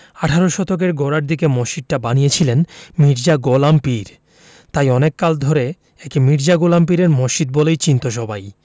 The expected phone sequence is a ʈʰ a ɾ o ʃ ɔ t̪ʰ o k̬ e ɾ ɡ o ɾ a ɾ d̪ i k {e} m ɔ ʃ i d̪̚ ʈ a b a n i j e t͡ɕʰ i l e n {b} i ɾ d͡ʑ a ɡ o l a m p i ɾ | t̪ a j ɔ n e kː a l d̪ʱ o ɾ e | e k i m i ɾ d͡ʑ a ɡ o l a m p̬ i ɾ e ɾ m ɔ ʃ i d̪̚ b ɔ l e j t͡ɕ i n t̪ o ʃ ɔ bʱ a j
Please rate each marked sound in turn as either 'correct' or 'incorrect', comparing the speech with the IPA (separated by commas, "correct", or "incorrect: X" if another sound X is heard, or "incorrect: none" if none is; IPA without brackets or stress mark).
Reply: correct, incorrect: m